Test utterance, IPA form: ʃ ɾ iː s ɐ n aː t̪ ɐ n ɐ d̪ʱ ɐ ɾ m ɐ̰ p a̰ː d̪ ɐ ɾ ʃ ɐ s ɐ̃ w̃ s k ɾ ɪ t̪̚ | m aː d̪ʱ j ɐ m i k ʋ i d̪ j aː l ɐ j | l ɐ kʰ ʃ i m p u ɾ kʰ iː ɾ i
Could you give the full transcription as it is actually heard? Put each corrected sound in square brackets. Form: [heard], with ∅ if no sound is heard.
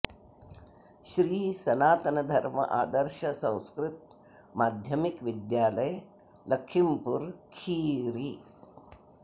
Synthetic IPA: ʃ ɾ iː s ɐ n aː t̪ ɐ n ɐ d̪ʱ ɐ ɾ m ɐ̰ [ʔ] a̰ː d̪ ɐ ɾ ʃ ɐ s ɐ̃ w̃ s k ɾ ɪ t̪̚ | m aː d̪ʱ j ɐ m i k ʋ i d̪ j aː l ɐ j | l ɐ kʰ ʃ i m p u ɾ kʰ iː ɾ i